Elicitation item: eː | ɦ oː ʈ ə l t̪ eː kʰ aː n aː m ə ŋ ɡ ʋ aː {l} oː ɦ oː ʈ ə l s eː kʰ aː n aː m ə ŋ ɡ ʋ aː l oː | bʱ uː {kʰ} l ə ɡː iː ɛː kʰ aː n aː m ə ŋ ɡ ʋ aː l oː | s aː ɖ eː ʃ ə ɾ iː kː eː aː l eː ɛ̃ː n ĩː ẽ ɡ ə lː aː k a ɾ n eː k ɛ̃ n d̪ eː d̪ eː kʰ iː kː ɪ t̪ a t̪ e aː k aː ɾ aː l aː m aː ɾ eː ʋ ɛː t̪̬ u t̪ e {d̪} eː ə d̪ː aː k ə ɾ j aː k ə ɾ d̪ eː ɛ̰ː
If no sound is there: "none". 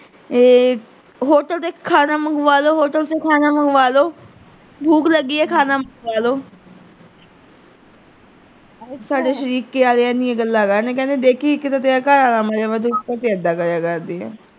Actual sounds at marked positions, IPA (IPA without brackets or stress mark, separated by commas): l, k, t̪